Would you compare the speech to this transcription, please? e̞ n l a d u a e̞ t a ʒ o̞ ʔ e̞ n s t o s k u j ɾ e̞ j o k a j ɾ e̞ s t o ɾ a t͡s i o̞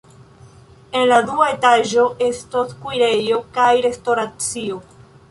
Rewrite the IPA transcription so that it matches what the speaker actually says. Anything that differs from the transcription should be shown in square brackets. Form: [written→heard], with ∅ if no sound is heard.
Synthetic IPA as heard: e̞ n l a d u a e̞ t a ʒ o̞ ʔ e̞ [n→∅] s t o s k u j ɾ e̞ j o k a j ɾ e̞ s t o ɾ a t͡s i o̞